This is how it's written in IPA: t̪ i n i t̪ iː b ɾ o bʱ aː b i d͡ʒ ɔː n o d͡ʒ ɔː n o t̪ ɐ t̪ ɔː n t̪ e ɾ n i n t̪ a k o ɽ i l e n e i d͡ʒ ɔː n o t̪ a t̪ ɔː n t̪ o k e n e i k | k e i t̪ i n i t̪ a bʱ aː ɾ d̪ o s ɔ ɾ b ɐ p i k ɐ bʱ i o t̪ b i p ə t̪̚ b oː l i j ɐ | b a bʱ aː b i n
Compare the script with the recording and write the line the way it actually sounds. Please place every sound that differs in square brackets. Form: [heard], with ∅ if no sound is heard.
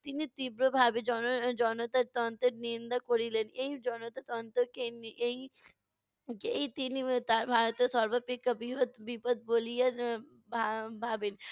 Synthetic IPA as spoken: t̪ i n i t̪ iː b ɾ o bʱ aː b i d͡ʒ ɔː n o d͡ʒ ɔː n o t̪ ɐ t̪ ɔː n t̪ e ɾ n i n [d̪] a k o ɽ i l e n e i d͡ʒ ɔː n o t̪ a t̪ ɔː n t̪ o k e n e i [∅] | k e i t̪ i n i t̪ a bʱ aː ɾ [t̪] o s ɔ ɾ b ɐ p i k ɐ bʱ i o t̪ b i p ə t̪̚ b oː l i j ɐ | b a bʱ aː b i n